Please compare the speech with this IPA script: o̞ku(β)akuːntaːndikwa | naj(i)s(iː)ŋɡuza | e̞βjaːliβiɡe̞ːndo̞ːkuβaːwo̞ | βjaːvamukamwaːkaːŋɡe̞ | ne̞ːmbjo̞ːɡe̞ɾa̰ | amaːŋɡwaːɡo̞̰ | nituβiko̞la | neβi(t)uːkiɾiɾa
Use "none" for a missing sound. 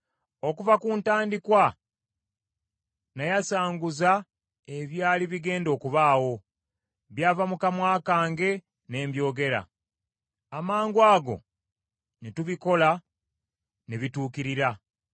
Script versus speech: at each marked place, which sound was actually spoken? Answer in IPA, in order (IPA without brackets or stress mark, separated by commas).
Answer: v, a, aː, t